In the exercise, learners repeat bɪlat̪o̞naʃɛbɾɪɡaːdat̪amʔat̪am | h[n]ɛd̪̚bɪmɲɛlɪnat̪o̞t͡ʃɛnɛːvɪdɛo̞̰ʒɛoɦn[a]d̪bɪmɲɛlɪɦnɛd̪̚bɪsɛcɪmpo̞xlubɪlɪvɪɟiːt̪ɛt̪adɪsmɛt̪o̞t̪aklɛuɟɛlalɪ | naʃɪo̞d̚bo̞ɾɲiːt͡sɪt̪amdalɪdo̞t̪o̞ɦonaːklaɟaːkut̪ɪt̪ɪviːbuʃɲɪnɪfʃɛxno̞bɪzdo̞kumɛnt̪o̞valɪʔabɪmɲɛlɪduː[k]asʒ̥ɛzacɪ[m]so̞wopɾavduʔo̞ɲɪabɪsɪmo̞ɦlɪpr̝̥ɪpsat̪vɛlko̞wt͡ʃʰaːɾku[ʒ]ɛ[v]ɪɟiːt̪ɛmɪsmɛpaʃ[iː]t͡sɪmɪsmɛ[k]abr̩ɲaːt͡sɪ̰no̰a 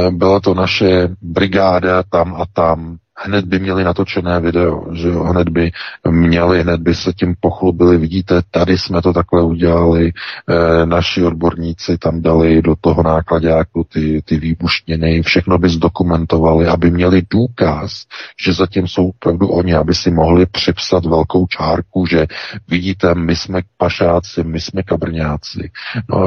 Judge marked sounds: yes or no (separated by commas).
yes, no, yes, yes, yes, yes, no, yes